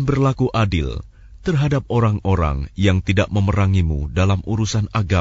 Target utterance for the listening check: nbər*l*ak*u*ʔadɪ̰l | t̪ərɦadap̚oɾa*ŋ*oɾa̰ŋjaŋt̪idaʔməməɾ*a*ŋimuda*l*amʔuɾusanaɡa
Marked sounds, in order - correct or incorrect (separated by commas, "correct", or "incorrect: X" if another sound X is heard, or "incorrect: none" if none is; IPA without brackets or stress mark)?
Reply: correct, correct, correct, correct, correct